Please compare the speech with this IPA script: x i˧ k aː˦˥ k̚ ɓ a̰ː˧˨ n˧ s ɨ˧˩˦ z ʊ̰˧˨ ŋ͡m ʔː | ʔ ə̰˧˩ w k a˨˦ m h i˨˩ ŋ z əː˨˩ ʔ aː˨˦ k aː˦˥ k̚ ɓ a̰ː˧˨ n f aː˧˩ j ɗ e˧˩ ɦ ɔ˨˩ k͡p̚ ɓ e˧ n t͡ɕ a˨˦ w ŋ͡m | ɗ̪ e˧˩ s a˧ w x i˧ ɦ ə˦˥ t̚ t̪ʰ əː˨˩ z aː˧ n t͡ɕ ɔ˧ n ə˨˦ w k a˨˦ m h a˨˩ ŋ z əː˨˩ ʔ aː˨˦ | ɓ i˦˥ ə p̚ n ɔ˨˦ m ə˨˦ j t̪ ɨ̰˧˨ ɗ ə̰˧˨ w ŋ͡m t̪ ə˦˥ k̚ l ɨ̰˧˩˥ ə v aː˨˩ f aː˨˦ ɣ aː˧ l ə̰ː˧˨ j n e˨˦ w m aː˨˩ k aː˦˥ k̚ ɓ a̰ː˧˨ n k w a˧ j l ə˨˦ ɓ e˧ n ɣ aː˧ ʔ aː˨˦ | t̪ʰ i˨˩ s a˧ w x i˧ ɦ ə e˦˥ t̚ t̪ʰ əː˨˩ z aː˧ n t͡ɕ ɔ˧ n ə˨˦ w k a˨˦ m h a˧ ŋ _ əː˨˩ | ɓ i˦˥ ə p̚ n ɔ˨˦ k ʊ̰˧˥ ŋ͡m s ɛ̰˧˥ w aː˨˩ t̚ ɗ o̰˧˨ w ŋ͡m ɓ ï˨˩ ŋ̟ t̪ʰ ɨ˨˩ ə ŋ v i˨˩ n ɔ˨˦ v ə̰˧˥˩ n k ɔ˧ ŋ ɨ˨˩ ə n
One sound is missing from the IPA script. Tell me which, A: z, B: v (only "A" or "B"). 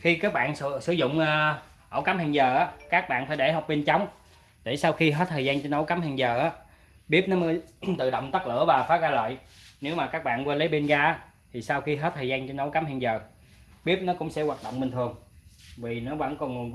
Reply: A